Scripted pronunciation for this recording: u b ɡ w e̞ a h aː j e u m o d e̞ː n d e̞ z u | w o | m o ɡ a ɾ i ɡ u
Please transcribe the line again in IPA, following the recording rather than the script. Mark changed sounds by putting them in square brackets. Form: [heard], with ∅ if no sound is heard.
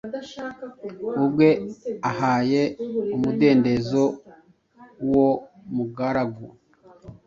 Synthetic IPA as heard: u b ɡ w e̞ a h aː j e u m [u] d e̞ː n d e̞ z [o] | w o | m [u] ɡ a ɾ [a] ɡ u